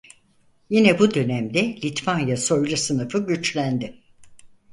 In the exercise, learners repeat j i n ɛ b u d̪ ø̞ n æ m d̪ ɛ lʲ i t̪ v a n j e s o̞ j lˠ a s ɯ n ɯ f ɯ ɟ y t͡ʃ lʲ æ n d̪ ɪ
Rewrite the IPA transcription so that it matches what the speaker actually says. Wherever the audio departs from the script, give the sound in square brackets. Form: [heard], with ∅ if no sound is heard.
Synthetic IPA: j i n ɛ b u d̪ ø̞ n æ m d̪ ɛ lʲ i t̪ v a n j [a] s o̞ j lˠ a s ɯ n ɯ f ɯ ɟ y t͡ʃ lʲ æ n d̪ ɪ